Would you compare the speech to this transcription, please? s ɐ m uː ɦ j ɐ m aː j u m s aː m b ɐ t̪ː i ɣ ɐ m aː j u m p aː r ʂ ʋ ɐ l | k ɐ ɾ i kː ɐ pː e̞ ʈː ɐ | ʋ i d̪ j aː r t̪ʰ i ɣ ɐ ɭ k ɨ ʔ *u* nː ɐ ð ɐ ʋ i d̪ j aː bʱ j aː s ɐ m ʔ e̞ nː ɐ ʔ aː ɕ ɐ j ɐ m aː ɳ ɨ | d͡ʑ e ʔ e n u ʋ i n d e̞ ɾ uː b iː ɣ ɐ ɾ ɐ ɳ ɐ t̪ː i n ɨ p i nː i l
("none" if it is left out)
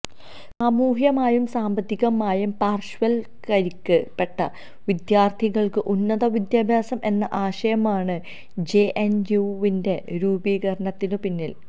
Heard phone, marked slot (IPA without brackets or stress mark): u